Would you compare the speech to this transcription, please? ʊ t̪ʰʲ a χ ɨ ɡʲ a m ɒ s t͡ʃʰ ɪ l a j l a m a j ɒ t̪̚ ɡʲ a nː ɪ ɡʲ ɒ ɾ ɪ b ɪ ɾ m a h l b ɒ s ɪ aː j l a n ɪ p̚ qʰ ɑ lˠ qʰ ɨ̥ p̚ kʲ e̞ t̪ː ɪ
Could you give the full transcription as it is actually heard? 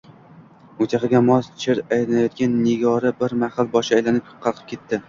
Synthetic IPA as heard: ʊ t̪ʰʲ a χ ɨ ɡʲ a m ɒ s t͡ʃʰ ɪ ɾ a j l a n a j ɒ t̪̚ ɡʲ a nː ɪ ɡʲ ɒ ɾ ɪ b ɪ ɾ m a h l b ɒ ʃ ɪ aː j l a n ɪ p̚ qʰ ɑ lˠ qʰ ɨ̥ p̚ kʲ e̞ t̪ː ɪ